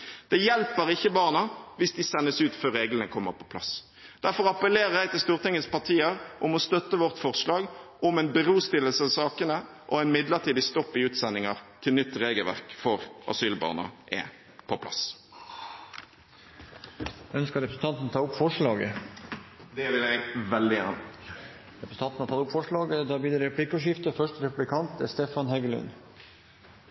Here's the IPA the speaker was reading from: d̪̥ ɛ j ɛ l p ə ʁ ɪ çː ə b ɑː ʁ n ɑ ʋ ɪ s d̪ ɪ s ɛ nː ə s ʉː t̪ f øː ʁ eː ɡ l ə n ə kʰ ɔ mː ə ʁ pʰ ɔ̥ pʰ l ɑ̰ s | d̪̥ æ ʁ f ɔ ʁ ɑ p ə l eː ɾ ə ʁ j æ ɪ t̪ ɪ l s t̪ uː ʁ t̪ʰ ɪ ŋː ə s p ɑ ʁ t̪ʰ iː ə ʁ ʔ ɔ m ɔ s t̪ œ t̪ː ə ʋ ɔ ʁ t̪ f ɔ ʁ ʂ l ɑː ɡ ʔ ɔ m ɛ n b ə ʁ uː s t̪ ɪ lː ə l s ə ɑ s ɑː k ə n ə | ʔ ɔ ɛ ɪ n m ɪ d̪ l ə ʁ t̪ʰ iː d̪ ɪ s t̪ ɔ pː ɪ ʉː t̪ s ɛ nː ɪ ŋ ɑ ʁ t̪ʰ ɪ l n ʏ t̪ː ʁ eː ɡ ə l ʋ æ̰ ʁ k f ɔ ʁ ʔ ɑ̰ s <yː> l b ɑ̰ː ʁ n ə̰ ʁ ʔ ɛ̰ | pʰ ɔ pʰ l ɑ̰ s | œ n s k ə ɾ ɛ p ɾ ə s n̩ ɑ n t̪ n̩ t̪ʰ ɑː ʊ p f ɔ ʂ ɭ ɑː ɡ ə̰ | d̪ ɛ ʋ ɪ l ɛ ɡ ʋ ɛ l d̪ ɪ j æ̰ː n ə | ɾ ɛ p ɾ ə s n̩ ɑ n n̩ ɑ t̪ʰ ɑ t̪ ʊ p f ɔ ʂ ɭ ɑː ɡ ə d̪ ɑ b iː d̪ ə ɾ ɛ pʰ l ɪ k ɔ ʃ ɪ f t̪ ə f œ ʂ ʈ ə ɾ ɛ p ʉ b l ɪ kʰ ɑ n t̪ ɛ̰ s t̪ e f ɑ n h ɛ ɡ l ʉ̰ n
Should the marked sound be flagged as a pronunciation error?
no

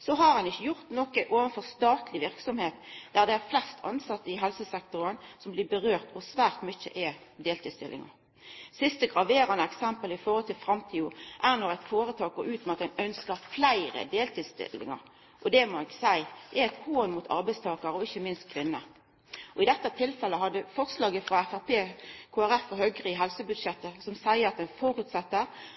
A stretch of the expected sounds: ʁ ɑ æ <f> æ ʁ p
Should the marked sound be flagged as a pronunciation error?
no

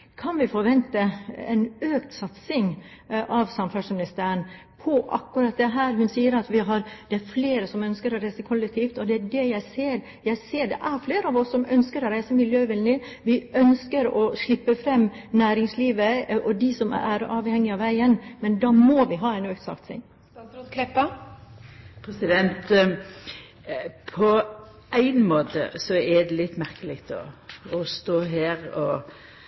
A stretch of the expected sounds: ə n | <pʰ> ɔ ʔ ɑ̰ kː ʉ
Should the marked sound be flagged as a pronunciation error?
no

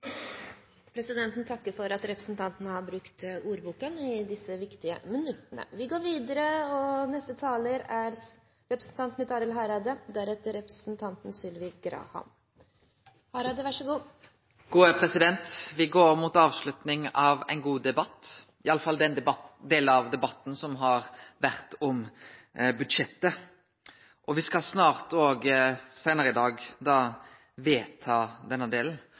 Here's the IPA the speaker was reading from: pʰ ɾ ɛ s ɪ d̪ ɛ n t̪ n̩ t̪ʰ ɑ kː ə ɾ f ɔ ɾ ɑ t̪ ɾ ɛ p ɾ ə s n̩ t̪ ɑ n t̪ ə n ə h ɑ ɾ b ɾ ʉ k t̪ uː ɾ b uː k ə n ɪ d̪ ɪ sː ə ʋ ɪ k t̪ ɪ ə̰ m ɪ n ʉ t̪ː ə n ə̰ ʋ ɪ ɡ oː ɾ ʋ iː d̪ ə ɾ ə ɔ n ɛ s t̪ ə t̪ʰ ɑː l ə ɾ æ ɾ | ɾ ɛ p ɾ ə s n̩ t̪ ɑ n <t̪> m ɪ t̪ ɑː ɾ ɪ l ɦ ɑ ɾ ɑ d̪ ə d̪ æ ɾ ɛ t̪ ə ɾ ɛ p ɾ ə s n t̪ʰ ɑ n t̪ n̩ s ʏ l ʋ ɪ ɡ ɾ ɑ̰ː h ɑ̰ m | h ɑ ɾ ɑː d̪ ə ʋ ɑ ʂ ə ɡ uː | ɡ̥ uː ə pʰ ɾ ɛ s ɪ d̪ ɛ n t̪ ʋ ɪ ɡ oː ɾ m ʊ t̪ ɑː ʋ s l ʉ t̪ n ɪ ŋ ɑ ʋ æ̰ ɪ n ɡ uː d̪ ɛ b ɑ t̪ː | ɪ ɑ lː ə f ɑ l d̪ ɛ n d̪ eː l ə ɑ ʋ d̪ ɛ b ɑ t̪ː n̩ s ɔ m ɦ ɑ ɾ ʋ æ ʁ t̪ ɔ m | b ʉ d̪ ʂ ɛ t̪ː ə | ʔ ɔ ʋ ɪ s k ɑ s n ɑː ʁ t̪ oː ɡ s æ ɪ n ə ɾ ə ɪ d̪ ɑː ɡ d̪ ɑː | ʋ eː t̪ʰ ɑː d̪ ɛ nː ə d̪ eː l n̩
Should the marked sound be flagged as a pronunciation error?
no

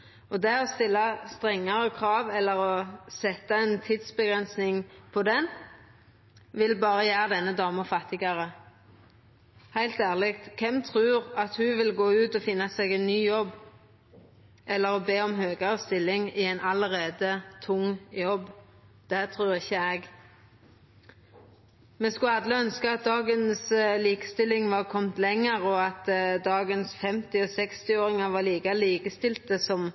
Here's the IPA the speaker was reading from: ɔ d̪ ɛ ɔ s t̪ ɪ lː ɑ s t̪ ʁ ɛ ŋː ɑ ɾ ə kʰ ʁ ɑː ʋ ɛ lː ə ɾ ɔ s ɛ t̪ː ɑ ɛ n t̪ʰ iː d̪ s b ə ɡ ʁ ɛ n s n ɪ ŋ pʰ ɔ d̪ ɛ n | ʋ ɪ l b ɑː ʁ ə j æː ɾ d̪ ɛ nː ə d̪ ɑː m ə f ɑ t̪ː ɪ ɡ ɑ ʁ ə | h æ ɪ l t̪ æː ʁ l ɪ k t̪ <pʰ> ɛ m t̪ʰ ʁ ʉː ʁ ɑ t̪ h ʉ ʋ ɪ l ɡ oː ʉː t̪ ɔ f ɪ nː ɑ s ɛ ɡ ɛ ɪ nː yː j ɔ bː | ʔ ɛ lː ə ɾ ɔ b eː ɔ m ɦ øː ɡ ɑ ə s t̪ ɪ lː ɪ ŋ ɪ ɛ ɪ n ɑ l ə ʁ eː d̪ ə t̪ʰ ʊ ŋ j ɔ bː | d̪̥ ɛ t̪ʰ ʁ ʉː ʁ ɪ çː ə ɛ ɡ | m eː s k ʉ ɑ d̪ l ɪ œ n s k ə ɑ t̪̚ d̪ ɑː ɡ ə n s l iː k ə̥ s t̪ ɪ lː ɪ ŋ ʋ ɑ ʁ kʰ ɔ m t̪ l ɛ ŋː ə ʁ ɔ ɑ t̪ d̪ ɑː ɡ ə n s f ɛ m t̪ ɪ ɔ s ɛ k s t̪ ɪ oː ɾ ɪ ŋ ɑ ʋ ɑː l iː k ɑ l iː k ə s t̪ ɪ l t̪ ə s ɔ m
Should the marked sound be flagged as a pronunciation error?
yes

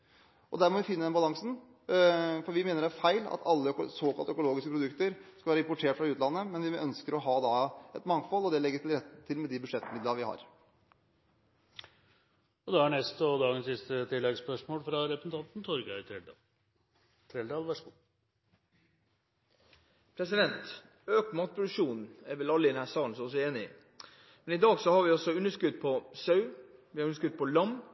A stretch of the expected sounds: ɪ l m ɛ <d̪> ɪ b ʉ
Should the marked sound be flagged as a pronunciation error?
no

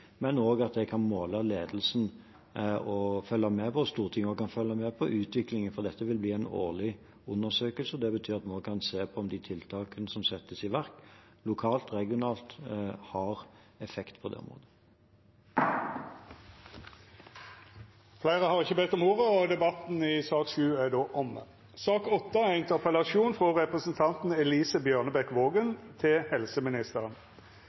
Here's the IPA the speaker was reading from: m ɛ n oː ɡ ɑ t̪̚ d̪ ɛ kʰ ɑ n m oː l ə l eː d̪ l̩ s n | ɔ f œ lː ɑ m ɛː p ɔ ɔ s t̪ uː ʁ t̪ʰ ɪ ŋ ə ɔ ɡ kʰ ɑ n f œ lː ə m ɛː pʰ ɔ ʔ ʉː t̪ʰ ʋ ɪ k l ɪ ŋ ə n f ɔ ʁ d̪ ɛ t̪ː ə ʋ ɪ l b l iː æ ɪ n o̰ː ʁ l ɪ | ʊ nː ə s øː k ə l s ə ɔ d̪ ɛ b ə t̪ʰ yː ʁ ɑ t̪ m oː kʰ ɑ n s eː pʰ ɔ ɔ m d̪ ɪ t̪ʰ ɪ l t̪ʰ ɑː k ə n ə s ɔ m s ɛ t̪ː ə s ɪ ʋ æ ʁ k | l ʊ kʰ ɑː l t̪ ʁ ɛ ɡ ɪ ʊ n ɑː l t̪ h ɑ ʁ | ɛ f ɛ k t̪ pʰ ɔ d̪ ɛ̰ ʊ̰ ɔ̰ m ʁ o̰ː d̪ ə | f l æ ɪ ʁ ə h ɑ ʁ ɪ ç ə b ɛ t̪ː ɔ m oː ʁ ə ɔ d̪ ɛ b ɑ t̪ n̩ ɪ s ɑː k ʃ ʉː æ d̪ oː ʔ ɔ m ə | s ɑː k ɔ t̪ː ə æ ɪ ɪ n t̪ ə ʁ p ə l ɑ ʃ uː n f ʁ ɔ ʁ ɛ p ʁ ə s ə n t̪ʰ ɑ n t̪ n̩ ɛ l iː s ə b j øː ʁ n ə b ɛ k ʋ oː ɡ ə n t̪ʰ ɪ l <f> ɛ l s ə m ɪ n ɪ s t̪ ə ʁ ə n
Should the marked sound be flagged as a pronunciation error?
yes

